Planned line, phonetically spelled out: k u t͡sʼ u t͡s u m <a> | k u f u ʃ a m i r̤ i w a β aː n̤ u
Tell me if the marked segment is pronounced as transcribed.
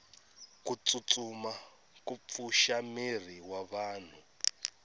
yes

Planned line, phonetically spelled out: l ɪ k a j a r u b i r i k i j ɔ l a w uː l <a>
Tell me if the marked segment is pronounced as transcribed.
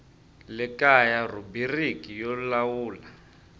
yes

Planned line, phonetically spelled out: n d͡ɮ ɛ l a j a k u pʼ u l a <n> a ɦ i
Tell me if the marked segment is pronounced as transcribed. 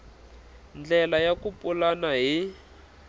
yes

